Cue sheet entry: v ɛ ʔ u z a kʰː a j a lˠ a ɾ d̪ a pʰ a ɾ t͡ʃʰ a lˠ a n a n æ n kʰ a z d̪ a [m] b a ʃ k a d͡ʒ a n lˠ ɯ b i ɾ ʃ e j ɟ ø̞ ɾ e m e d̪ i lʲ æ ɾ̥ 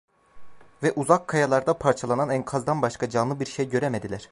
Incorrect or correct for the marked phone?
incorrect: n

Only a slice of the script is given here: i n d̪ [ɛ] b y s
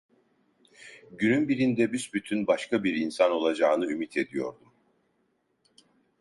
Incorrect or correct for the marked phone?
correct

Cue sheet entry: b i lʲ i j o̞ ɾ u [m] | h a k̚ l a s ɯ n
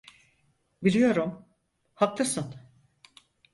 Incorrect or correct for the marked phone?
correct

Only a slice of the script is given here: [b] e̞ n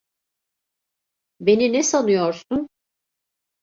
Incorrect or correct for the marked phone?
correct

